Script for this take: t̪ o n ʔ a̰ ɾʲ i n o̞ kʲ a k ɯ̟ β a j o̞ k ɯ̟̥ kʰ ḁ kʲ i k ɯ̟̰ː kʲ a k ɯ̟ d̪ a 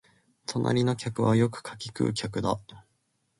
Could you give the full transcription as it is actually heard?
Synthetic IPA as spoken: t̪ o n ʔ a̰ ɾʲ i n o̞ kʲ a k ɯ̟ β a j o̞ k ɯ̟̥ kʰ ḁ kʲ i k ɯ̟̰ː kʲ a k ɯ̟ d̪ a